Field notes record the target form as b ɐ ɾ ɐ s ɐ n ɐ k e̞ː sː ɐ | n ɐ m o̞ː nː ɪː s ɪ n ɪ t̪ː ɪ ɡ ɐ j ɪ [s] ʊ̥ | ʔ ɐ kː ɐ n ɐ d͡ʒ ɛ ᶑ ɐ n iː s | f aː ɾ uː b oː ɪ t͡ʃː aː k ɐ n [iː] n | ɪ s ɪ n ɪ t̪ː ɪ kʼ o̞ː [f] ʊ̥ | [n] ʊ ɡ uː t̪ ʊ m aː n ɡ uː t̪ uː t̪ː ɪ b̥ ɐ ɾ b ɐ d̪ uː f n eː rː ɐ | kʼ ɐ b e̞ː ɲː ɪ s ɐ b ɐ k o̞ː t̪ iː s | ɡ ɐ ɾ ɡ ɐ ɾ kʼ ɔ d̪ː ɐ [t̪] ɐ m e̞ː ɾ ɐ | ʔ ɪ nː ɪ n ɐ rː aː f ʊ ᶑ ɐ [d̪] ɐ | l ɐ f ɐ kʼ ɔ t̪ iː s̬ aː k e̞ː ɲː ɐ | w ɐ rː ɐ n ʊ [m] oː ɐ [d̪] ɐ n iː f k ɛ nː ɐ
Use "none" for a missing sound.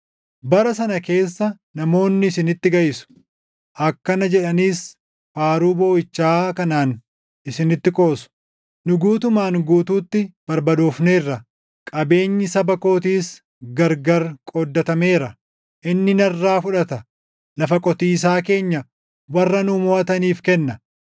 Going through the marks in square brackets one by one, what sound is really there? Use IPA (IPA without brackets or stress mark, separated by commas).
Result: s, aː, s, n, t̪, t̪, m, t̪